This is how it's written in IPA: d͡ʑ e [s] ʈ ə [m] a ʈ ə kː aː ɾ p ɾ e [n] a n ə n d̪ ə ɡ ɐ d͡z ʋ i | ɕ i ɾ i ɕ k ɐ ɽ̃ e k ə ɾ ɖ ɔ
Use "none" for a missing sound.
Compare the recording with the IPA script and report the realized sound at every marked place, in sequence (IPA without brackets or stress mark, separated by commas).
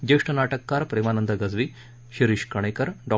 ʂ, n, m